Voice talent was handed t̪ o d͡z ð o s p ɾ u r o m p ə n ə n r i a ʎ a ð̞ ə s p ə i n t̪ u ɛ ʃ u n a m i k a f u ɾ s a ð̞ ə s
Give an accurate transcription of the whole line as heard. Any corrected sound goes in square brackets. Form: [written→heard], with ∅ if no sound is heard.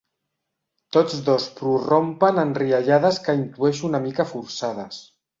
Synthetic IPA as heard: t̪ o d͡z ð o s p ɾ u r o m p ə n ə n r i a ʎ a ð̞ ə s [p→k] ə i n t̪ u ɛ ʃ u n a m i k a f u ɾ s a ð̞ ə s